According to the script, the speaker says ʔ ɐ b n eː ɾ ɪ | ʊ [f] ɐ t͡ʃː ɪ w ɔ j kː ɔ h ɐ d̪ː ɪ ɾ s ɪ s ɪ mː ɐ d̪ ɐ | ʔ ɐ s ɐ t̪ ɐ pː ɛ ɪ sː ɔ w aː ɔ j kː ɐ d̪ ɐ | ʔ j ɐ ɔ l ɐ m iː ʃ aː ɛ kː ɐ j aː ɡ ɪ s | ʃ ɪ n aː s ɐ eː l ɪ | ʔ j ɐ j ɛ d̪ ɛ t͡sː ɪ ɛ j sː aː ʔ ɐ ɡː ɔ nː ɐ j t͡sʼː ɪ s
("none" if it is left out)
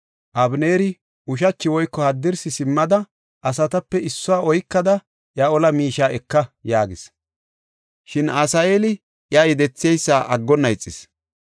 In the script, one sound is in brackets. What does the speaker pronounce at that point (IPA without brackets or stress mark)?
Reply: ʃ